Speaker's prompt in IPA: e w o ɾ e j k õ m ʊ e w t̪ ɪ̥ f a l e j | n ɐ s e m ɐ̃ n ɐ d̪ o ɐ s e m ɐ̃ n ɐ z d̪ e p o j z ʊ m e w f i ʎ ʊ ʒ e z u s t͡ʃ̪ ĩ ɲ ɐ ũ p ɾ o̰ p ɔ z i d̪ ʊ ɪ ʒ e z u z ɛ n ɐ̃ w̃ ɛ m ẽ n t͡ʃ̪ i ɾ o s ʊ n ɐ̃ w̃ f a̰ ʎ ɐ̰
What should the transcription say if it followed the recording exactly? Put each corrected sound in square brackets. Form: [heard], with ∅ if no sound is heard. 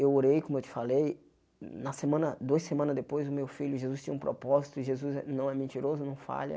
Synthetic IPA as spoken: e w o ɾ e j k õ m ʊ e w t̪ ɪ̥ f a l e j | n ɐ s e m ɐ̃ n ɐ d̪ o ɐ s e m ɐ̃ n ɐ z d̪ e p o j z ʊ m e w f i ʎ ʊ ʒ e z u s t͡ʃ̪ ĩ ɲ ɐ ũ p ɾ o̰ p ɔ z i [t̪] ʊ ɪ ʒ e z u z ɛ n ɐ̃ w̃ ɛ m ẽ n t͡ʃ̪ i ɾ o [z] ʊ n ɐ̃ w̃ f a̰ ʎ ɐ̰